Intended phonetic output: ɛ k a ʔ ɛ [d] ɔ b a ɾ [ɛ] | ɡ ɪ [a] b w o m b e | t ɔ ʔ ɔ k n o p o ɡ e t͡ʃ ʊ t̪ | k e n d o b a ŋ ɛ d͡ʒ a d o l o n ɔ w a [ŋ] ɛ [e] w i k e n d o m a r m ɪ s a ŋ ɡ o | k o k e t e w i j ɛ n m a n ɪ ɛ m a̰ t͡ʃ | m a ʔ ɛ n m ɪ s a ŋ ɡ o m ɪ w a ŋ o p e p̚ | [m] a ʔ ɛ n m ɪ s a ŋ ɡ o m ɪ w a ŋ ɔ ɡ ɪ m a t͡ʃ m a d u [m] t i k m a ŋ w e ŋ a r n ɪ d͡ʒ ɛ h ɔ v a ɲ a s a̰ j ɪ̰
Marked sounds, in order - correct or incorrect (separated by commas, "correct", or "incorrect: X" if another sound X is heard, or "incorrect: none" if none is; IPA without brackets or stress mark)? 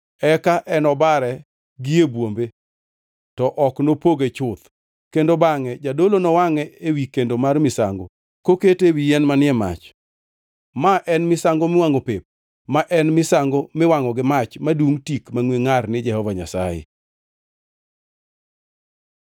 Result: incorrect: n, correct, incorrect: e, correct, correct, correct, incorrect: ŋ